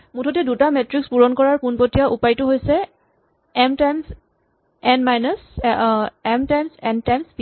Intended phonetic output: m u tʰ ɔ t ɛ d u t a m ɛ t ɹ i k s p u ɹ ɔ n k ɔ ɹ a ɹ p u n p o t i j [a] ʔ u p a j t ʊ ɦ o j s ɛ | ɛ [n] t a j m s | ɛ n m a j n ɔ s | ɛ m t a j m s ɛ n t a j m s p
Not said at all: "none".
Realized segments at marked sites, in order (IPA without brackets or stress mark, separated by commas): a, m